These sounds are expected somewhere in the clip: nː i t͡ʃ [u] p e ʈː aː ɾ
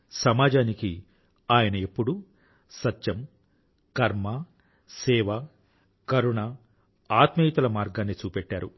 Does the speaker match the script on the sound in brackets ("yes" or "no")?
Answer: no